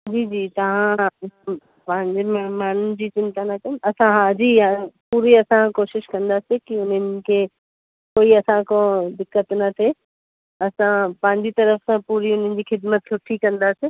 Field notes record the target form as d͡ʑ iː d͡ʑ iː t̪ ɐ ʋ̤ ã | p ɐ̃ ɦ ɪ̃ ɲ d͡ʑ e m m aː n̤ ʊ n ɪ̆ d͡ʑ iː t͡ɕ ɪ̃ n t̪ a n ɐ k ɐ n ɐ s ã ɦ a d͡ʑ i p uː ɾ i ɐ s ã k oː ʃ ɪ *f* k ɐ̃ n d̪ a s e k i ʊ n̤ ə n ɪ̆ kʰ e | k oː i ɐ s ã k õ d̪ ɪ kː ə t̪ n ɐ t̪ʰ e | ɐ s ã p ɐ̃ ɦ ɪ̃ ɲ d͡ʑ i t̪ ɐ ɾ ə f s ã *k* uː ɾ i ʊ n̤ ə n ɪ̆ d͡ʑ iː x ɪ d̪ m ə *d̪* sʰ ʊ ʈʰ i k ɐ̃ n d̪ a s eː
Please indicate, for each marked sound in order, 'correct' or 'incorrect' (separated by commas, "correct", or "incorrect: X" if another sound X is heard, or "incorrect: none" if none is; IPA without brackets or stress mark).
incorrect: ʃ, incorrect: p, incorrect: t̪